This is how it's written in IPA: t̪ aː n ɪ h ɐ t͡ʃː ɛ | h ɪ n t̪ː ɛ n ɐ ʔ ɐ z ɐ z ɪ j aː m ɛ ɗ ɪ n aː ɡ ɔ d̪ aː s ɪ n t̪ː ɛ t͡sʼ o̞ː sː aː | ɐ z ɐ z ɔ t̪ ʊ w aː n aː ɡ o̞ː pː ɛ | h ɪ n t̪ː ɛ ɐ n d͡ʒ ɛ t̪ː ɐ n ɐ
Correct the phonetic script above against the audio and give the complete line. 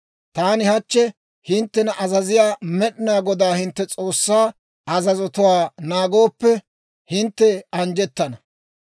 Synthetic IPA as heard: t̪ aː n ɪ h ɐ t͡ʃː ɛ | h ɪ n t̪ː ɛ n ɐ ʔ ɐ z ɐ z ɪ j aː m ɛ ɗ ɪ n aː ɡ ɔ d̪ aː h ɪ n t̪ː ɛ t͡sʼ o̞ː sː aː | ɐ z ɐ z ɔ t̪ ʊ w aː n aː ɡ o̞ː pː ɛ | h ɪ n t̪ː ɛ ɐ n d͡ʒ ɛ t̪ː ɐ n ɐ